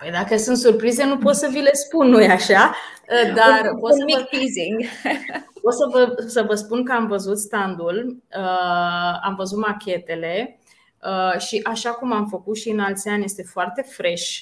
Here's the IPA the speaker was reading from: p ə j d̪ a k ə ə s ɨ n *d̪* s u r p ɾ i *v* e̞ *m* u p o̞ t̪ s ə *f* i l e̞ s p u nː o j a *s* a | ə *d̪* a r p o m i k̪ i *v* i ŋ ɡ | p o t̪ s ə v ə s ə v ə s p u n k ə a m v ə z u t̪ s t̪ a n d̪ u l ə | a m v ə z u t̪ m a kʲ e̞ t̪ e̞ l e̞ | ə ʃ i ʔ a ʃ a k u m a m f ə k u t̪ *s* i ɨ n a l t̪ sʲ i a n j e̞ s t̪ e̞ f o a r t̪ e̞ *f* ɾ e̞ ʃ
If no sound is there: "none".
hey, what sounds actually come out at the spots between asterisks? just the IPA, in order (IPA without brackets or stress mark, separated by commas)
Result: t̪, z, n, v, ʃ, d̪, z, ʃ, f